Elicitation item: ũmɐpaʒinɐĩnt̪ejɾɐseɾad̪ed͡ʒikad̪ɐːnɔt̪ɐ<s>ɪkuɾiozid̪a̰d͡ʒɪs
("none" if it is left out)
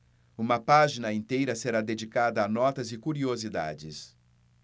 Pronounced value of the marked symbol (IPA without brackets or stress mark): z